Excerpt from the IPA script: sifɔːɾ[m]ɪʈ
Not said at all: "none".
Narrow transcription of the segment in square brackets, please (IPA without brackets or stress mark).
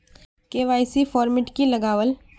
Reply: m